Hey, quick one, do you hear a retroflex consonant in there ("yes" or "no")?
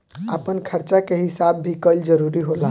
no